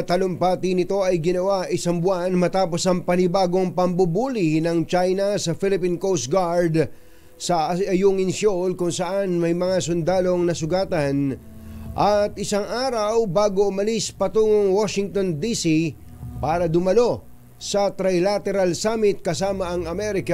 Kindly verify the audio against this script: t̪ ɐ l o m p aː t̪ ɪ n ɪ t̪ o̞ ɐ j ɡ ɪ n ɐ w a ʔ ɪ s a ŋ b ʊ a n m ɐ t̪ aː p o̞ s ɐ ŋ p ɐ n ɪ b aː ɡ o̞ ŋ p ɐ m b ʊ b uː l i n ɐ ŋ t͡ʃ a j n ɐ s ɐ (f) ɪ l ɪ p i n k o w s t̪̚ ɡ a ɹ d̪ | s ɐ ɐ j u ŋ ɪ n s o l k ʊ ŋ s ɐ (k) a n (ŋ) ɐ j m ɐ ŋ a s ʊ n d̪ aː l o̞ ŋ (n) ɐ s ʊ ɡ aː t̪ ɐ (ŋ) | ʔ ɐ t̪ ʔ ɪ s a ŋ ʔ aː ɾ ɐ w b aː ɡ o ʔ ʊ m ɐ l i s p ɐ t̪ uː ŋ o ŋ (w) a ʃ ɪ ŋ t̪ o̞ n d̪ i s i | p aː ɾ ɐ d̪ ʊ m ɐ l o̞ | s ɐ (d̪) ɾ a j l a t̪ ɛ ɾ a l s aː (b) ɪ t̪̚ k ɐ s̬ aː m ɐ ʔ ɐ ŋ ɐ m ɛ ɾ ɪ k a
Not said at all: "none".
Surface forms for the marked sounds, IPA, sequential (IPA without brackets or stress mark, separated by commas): f, ʔ, m, n, n, w, t̪, m